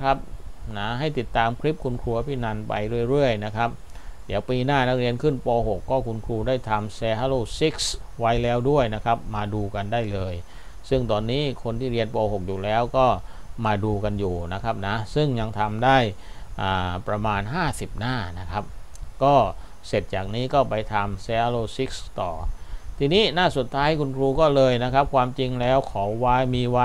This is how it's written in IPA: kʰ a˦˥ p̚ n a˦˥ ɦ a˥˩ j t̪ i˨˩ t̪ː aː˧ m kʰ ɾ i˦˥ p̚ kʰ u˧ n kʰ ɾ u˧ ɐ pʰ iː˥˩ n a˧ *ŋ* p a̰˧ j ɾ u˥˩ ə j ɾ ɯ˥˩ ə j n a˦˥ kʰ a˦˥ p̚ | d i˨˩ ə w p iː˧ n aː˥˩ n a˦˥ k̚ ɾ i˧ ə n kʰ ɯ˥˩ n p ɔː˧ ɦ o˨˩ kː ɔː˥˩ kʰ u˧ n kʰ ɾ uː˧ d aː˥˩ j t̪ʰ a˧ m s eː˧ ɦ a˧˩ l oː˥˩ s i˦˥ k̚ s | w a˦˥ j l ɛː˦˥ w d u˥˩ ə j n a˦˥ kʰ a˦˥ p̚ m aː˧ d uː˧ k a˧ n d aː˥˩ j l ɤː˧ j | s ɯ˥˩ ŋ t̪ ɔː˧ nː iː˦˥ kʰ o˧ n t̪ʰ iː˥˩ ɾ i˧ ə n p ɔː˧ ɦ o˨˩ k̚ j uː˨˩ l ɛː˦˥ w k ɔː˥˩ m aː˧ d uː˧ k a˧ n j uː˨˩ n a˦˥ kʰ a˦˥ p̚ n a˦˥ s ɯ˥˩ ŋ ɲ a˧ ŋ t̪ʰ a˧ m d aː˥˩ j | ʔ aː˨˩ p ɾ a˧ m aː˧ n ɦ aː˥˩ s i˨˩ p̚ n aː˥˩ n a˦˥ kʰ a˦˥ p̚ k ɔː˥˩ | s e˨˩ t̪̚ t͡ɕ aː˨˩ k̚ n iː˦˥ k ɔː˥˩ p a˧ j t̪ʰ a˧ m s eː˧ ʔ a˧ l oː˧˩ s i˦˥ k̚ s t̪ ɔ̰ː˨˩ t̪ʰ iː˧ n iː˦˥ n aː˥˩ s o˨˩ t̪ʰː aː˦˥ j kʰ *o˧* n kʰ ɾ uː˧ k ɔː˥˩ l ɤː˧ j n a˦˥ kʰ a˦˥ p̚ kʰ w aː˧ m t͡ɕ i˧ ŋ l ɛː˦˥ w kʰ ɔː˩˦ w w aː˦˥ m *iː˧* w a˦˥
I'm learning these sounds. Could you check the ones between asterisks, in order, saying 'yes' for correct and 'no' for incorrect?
no, no, yes

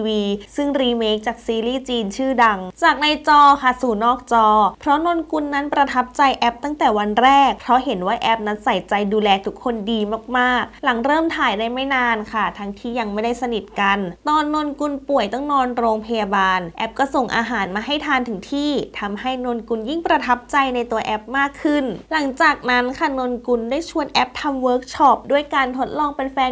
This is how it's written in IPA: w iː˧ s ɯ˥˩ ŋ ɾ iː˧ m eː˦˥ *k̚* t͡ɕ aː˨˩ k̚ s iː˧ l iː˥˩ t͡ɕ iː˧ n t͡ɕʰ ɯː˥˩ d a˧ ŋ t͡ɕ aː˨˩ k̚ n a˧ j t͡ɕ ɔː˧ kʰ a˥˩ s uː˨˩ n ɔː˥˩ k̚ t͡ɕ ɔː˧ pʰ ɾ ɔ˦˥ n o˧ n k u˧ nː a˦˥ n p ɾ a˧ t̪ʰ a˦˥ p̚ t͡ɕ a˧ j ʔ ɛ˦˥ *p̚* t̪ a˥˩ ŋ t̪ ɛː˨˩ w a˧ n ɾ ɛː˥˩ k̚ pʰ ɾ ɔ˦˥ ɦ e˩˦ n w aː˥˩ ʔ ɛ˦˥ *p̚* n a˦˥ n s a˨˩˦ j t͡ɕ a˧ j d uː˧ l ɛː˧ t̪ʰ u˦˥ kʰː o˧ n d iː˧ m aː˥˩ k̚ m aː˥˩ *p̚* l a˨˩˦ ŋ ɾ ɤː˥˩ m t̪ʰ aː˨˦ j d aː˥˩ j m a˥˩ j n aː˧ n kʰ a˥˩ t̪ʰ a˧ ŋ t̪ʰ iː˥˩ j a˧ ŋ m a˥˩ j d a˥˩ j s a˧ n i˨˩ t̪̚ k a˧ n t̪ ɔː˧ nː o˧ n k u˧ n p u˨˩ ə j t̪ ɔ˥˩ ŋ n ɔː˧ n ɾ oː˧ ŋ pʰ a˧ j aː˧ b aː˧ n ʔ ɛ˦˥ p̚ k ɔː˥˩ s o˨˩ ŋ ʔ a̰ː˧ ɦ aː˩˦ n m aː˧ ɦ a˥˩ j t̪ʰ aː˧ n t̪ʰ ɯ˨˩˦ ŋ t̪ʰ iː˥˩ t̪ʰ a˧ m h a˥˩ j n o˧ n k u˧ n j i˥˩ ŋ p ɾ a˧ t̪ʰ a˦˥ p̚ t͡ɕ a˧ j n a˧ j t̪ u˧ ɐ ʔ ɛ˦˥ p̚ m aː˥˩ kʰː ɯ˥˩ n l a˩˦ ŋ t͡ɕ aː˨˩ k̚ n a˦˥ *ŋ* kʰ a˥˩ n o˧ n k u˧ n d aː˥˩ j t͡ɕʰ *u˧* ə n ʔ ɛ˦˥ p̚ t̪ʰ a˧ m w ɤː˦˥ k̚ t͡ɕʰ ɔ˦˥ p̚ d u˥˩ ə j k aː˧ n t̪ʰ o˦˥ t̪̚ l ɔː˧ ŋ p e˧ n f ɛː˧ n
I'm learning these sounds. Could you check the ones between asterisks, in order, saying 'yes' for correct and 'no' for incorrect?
yes, yes, yes, no, no, yes

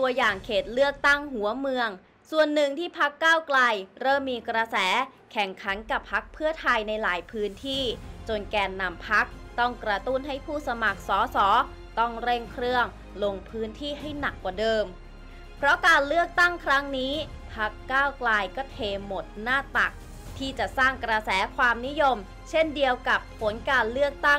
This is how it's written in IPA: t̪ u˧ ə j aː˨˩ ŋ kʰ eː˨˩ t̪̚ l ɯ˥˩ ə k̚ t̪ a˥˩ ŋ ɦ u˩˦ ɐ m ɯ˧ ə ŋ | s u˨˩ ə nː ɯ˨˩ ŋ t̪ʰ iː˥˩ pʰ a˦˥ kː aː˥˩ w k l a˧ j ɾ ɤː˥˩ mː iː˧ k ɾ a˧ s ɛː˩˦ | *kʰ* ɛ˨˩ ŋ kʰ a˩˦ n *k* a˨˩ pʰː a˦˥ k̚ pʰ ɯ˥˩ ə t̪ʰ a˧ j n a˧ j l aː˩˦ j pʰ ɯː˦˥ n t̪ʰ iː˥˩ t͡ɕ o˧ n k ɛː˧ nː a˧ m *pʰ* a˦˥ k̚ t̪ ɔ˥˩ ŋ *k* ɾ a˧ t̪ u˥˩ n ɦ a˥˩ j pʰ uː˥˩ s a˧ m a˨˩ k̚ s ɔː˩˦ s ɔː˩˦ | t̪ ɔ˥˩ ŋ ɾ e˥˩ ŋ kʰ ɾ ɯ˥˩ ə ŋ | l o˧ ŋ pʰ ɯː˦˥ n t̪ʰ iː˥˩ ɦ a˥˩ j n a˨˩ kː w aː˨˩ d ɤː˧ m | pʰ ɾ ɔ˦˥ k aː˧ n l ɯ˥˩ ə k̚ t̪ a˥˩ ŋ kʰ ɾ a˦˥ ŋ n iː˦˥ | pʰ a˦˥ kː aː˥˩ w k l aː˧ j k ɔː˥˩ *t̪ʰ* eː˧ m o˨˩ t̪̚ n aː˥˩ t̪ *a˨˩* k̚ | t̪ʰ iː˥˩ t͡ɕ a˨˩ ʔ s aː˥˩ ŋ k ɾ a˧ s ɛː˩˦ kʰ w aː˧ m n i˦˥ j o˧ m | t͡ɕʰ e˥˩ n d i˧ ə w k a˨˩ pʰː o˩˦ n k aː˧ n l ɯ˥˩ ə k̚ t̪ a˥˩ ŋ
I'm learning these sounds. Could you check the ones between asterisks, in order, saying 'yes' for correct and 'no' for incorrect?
yes, yes, yes, yes, yes, yes

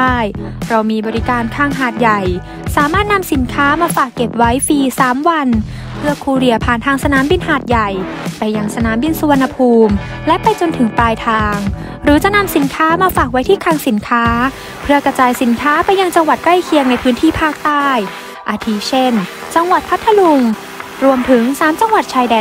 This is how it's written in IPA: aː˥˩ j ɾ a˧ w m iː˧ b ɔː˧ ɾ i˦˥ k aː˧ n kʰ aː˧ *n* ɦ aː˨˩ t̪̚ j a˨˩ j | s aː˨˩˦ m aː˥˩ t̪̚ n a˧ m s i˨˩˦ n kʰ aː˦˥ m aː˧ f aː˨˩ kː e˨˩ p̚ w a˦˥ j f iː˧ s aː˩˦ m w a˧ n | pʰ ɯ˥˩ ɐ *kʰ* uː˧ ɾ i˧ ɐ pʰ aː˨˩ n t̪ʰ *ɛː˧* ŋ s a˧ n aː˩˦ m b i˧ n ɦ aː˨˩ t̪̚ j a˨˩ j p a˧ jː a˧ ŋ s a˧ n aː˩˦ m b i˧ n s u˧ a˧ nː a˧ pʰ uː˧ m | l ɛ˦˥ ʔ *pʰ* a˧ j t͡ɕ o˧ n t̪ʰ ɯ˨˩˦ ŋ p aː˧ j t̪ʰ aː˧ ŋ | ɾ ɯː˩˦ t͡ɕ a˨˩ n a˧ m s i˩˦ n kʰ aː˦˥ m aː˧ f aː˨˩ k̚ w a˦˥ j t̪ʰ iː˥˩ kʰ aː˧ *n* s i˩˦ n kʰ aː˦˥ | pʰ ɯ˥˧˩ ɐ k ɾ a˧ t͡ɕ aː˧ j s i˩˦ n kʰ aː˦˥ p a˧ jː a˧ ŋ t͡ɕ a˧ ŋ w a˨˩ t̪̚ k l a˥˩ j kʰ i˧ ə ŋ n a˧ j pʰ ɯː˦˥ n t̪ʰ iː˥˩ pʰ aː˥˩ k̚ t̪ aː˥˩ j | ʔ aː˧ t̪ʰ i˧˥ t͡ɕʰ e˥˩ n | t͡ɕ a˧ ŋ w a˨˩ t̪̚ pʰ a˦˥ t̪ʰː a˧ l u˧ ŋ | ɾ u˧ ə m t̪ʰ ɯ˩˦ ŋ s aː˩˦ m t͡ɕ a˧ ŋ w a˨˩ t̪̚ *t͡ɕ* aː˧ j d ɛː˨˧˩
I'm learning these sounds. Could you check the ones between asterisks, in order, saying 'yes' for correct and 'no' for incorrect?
no, yes, no, no, no, no

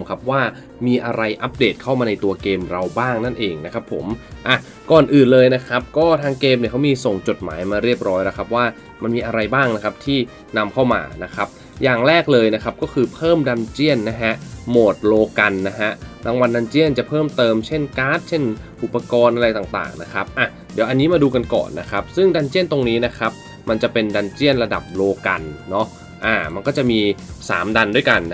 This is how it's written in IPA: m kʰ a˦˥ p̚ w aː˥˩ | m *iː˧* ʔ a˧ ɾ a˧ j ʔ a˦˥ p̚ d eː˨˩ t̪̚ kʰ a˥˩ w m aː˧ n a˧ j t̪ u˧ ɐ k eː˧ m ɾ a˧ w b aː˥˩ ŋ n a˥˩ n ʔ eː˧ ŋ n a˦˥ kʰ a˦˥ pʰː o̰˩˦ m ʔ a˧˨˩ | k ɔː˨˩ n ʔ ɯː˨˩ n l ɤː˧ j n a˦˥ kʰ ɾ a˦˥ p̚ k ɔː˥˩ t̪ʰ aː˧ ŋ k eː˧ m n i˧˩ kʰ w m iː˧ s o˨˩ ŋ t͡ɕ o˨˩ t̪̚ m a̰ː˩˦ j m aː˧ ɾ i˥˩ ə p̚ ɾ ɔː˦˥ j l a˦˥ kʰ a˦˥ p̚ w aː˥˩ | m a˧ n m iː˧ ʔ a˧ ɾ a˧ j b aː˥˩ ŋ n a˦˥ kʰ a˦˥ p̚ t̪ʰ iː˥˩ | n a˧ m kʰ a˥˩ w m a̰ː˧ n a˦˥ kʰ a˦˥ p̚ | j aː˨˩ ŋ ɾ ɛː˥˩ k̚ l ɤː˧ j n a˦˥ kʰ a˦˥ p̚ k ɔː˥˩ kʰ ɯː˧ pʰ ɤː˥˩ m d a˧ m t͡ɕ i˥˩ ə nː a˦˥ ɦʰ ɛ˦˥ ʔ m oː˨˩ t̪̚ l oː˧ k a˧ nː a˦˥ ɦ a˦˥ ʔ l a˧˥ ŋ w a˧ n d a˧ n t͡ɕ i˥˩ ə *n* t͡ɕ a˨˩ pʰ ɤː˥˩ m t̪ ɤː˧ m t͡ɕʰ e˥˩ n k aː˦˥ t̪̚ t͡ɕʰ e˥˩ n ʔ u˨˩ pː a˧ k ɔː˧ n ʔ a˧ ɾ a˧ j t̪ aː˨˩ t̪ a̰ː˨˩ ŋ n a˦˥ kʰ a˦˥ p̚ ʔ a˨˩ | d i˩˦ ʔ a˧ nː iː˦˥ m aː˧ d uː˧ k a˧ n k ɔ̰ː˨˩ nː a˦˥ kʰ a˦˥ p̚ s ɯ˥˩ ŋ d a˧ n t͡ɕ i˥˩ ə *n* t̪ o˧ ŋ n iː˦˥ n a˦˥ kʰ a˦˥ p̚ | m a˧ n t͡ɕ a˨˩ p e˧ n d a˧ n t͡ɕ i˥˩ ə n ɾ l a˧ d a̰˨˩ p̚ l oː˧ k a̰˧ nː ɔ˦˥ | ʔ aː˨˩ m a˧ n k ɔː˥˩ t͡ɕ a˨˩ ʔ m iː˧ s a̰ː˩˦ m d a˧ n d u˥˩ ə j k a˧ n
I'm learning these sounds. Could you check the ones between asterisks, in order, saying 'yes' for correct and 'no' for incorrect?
yes, yes, yes

